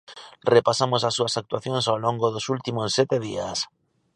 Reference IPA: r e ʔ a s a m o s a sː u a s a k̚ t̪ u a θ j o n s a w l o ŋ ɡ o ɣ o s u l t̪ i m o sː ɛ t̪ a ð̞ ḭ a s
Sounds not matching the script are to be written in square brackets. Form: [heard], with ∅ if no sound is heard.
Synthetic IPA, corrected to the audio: r e [p] a s a m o s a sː u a s a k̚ t̪ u a θ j o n s a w l o ŋ ɡ o [ð] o s u l t̪ i m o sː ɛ t̪ [e] ð̞ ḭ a s